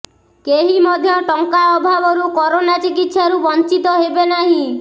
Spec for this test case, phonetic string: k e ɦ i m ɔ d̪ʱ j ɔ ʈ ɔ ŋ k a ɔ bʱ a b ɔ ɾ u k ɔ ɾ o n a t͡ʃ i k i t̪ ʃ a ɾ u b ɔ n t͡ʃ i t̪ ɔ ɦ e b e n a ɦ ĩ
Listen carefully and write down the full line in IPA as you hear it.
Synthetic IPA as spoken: k e ɦ i m ɔ d̪ʱ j ɔ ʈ ɔ ŋ k a ɔ bʱ a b ɔ ɾ u k ɔ ɾ o n a t͡ʃ i k i t̪ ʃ a ɾ u b ɔ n t͡ʃ i t̪ ɔ ɦ e b e n a ɦ ĩ